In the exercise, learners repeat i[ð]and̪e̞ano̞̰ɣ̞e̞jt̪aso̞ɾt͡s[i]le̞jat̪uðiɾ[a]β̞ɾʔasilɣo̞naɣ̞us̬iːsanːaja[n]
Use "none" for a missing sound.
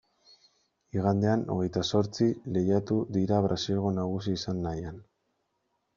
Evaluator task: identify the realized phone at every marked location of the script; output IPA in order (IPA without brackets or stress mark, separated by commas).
ɣ, i, a, n